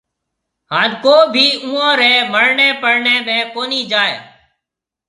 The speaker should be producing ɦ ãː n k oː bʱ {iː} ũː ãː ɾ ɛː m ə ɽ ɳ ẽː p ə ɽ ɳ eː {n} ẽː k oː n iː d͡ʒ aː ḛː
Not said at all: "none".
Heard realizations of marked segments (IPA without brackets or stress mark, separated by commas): iː, m